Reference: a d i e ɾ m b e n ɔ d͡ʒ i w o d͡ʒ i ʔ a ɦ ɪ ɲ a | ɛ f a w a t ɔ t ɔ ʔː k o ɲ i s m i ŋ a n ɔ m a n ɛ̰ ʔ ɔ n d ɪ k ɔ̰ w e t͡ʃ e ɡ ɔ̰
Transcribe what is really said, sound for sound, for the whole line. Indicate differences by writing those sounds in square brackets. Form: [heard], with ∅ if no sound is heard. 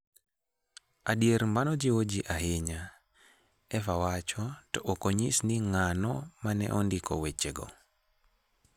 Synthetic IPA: a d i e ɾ m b [a] n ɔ d͡ʒ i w o d͡ʒ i ʔ a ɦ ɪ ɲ a | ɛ f a w a [t͡ʃ] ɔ t ɔ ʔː k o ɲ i s [n] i ŋ a n ɔ m a n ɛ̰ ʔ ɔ n d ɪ k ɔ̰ w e t͡ʃ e ɡ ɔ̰